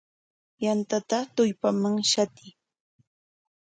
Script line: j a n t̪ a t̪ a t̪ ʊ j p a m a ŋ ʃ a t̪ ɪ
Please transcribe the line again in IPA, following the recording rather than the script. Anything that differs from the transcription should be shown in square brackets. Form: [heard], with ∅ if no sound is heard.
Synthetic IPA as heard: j a n t̪ a t̪ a t̪ ʊ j p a m a ŋ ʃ a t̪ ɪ